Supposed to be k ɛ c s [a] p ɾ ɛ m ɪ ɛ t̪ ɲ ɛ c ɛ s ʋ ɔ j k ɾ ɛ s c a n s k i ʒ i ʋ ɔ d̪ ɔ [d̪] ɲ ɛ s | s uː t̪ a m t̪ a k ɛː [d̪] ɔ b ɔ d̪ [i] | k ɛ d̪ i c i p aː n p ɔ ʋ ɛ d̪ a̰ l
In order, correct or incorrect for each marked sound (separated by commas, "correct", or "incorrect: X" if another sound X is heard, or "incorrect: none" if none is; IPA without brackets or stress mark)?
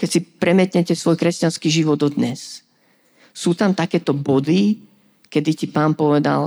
incorrect: i, correct, incorrect: t̪, correct